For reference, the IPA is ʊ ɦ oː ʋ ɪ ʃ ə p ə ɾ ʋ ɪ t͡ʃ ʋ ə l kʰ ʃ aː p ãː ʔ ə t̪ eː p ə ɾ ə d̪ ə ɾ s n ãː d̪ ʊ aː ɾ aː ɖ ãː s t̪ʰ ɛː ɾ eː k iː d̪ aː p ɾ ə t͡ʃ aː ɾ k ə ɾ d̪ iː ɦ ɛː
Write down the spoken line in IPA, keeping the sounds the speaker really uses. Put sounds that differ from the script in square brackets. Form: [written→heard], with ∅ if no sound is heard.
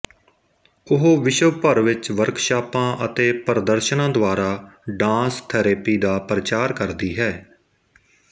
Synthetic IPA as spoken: ʊ ɦ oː ʋ ɪ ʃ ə p ə ɾ ʋ ɪ t͡ʃ ʋ ə [l→ɾ] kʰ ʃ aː p ãː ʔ ə t̪ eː p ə ɾ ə d̪ ə ɾ [s→ʃ] n ãː d̪ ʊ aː ɾ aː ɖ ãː s t̪ʰ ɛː ɾ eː [k→p] iː d̪ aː p ɾ ə t͡ʃ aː ɾ k ə ɾ d̪ iː ɦ ɛː